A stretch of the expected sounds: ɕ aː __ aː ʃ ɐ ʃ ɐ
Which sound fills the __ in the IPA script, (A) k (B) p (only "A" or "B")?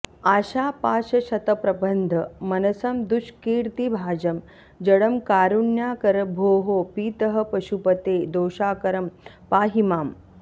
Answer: B